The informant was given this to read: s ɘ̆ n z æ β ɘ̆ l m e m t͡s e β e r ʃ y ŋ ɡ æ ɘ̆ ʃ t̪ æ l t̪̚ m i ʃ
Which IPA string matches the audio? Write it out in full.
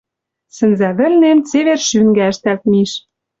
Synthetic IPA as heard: s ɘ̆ n z æ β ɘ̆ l n e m t͡s e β e r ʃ y ŋ ɡ æ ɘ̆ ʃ t̪ æ l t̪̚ m i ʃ